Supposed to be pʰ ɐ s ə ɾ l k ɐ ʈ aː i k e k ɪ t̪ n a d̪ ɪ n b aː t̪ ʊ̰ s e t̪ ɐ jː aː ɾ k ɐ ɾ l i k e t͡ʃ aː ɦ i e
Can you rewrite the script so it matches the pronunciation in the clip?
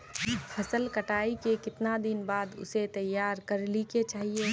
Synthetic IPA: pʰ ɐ s ə l k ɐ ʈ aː i k e k ɪ t̪ n a d̪ ɪ n b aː d̪ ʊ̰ s e t̪ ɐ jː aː ɾ k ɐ ɾ l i k e t͡ʃ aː ɦ i e